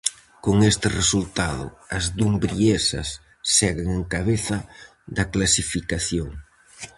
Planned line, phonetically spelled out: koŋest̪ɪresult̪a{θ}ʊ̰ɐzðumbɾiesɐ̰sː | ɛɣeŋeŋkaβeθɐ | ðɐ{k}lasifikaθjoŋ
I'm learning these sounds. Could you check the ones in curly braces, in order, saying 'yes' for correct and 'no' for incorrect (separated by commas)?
no, yes